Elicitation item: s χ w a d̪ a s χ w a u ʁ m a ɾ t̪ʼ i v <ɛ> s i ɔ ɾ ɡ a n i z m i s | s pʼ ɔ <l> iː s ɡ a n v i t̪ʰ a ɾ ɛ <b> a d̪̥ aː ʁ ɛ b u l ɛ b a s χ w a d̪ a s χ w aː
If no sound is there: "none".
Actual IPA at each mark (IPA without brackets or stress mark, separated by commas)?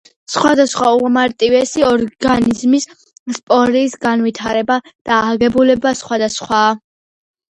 ɛ, ɾ, b